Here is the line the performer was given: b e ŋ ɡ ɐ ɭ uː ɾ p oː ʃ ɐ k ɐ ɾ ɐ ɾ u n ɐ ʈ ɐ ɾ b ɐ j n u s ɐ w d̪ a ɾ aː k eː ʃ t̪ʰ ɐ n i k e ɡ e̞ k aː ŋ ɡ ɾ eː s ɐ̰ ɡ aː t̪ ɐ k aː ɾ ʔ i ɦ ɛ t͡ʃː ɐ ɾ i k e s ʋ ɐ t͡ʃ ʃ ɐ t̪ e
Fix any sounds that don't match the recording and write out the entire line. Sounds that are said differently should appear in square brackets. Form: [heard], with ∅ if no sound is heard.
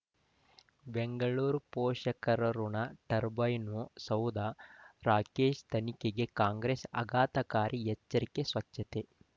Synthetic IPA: b e ŋ ɡ ɐ ɭ uː ɾ p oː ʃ ɐ k ɐ ɾ ɐ ɾ u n ɐ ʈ ɐ ɾ b ɐ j n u s ɐ w d̪ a ɾ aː k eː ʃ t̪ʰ ɐ n i k e ɡ e̞ k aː ŋ ɡ ɾ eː s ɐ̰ ɡ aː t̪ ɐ k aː ɾ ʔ i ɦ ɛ t͡ʃː ɐ ɾ i k e s ʋ ɐ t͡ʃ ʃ ɐ t̪ e